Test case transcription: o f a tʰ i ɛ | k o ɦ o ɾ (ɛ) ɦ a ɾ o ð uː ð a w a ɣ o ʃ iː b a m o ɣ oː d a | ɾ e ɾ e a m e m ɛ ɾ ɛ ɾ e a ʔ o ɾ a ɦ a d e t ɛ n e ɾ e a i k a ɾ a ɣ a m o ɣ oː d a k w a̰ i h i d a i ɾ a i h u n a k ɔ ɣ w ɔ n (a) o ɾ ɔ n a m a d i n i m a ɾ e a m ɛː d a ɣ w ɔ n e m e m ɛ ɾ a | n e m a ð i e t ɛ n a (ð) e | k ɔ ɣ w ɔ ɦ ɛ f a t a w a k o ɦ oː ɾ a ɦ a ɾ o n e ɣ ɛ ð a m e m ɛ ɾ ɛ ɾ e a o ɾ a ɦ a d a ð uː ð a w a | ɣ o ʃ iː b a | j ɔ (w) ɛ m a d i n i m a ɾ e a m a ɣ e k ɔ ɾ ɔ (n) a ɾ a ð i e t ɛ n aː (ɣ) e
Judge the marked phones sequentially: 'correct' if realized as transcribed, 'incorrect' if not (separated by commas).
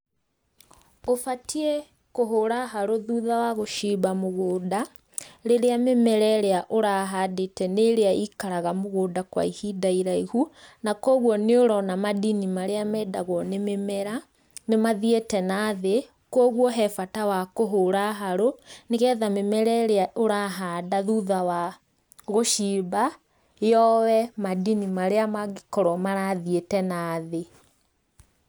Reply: incorrect, incorrect, correct, correct, incorrect, incorrect